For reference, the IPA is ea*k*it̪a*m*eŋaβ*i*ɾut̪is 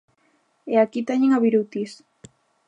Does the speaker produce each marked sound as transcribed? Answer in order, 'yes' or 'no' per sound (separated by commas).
yes, no, yes